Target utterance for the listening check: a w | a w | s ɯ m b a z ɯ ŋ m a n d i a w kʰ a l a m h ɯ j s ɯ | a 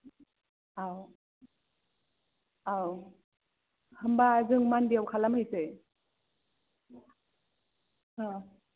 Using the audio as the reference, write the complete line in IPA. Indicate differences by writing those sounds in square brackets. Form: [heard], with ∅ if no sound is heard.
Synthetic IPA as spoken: a w | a w | [h] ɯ m b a z ɯ ŋ m a n d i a w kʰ a l a m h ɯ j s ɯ | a